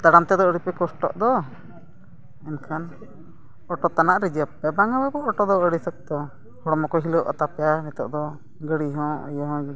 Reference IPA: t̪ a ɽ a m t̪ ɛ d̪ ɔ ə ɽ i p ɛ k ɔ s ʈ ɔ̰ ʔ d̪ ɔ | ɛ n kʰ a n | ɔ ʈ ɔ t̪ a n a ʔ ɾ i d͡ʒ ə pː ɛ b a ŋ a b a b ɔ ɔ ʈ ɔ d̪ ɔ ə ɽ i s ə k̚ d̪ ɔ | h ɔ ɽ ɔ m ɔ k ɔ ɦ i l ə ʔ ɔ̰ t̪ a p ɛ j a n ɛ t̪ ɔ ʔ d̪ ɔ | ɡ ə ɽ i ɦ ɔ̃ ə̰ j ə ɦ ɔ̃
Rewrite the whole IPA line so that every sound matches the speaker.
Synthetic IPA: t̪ a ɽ a m t̪ ɛ d̪ ɔ ə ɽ i p ɛ k ɔ s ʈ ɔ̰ ʔ d̪ ɔ | ɛ n kʰ a n | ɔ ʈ ɔ t̪ a n a ʔ ɾ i d͡ʒ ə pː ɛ b a ŋ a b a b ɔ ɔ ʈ ɔ d̪ ɔ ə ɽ i s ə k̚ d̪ ɔ | h ɔ ɽ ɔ m ɔ k ɔ ɦ i l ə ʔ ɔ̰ t̪ a p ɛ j a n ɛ t̪ ɔ ʔ d̪ ɔ | ɡ ə ɽ i ɦ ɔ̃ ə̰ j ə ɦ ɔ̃